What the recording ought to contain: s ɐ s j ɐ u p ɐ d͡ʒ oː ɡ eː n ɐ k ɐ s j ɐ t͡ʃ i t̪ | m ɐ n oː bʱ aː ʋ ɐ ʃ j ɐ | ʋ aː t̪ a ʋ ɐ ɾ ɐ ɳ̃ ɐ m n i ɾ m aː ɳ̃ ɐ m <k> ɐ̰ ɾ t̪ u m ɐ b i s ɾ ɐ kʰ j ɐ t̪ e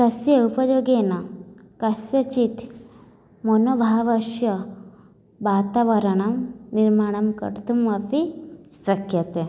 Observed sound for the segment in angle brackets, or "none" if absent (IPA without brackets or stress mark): k